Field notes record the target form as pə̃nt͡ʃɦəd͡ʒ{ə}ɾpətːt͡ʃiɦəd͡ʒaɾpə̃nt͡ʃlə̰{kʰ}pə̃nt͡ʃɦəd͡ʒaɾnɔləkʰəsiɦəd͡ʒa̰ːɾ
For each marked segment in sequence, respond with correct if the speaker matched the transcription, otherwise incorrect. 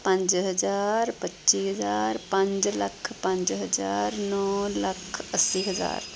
incorrect: a, correct

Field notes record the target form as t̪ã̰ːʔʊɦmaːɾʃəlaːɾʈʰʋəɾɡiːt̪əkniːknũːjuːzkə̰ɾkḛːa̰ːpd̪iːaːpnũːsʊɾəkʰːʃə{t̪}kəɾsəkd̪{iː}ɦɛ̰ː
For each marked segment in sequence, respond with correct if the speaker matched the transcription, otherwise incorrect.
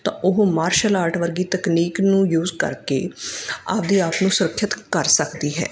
correct, correct

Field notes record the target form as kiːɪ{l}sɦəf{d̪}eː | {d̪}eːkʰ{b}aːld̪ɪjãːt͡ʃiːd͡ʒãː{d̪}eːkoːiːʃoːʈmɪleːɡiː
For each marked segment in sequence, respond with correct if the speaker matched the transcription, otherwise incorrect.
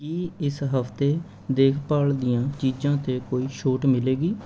incorrect: none, incorrect: t̪, correct, incorrect: p, incorrect: t̪

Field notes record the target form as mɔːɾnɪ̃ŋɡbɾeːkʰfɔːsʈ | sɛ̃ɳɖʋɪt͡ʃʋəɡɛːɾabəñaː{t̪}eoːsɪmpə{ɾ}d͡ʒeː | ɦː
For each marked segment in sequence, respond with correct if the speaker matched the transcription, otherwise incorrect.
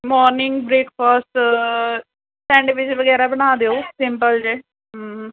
incorrect: d̪, incorrect: l

